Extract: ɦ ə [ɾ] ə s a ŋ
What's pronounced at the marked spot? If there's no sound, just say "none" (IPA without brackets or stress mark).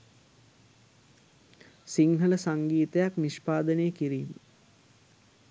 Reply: l